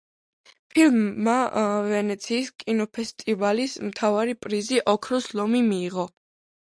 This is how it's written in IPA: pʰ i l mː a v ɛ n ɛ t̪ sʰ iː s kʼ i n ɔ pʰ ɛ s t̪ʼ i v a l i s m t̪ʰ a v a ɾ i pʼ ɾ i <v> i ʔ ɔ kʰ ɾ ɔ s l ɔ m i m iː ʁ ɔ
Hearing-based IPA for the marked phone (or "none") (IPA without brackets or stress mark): z